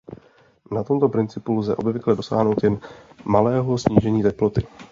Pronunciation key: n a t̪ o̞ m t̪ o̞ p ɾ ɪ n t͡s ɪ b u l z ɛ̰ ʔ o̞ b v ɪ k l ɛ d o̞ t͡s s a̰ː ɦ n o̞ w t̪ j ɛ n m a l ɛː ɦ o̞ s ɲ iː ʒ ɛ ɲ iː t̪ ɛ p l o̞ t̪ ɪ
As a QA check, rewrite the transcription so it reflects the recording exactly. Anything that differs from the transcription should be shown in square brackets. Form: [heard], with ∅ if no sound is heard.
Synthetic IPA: n a t̪ o̞ m t̪ o̞ p ɾ ɪ n t͡s ɪ [p] u l z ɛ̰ ʔ o̞ b v ɪ k l ɛ d o̞ [∅] s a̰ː ɦ n o̞ w t̪ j ɛ n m a l ɛː ɦ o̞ s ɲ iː ʒ ɛ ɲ iː t̪ ɛ p l o̞ t̪ ɪ